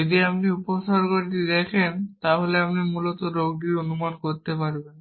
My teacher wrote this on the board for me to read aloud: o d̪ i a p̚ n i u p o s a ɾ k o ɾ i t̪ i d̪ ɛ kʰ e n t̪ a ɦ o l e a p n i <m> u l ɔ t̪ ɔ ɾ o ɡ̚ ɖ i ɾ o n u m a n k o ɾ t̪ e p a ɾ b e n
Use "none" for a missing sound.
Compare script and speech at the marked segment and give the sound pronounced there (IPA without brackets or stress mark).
m